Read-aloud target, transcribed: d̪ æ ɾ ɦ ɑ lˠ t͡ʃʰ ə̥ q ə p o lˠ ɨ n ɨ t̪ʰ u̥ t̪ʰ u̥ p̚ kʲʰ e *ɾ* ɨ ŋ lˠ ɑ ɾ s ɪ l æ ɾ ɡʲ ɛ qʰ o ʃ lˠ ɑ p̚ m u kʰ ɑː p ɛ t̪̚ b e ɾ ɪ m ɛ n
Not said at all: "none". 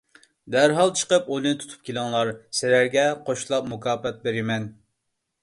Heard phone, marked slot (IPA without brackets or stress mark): l